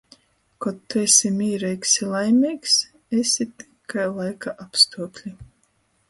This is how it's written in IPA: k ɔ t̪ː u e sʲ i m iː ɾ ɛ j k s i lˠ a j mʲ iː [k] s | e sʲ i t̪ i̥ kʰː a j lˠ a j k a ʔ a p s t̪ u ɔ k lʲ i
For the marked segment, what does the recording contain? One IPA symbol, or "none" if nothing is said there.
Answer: k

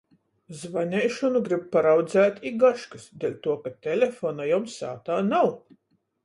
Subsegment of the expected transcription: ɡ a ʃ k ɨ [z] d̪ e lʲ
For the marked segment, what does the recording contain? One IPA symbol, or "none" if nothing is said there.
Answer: s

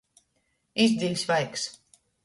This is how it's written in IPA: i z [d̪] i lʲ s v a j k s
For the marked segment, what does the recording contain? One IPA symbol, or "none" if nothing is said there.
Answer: d̪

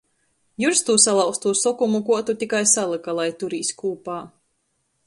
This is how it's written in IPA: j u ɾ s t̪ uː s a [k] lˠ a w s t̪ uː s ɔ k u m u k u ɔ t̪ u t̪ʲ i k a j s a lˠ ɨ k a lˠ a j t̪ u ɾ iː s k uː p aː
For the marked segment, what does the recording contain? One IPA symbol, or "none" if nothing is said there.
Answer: none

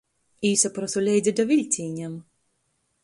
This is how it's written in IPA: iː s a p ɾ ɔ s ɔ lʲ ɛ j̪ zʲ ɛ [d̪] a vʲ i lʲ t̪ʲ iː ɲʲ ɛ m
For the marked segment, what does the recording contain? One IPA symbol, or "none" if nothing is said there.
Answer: d̪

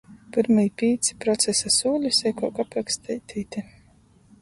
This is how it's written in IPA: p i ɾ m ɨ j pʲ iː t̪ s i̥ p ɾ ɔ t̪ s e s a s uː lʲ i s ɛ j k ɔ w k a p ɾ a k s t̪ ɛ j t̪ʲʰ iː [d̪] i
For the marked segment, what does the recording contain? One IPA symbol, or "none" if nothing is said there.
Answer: t̪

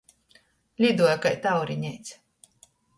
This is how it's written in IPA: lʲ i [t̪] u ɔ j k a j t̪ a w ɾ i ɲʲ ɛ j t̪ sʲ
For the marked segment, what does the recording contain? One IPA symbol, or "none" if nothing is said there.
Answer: d̪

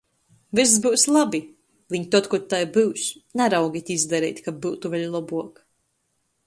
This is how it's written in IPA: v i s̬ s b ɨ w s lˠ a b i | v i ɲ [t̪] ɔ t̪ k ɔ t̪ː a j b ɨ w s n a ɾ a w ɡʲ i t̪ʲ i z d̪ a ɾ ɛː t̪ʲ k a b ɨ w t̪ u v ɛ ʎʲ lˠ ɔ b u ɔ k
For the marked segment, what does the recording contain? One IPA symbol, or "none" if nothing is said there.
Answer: t̪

